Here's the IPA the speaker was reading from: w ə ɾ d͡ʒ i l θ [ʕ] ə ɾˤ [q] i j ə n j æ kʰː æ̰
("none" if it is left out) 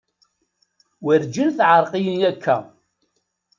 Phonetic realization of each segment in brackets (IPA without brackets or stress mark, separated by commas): ʕ, q